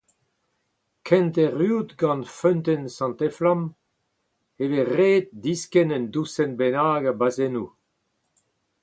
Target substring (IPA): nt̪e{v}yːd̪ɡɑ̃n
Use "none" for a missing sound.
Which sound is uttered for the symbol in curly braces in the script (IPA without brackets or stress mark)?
ʁ